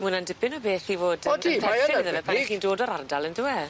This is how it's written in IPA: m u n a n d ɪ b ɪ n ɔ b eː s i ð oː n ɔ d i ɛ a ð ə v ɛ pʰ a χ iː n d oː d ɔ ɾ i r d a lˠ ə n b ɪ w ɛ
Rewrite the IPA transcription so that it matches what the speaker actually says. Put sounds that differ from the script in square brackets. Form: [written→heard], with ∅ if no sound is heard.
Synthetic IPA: m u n a n d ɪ b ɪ n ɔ b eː [s→θ] i [ð→v] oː [n→d] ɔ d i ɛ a ð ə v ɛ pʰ a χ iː n d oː d ɔ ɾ [i→a] r d a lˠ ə n [b→d] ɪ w ɛ